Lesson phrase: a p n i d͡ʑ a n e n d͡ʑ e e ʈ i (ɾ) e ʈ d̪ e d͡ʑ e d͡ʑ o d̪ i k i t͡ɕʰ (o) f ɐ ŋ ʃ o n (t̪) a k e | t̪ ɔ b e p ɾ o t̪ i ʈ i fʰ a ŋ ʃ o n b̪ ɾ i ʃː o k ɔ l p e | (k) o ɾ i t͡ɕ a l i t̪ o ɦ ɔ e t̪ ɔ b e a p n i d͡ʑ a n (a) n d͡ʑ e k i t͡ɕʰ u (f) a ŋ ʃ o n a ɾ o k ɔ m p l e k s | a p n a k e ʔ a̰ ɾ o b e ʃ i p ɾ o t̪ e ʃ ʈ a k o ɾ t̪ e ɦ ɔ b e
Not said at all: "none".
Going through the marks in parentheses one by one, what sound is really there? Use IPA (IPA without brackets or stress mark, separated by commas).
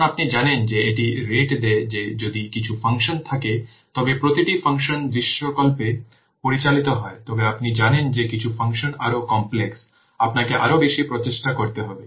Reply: ɾ, u, t̪ʰ, p, e, f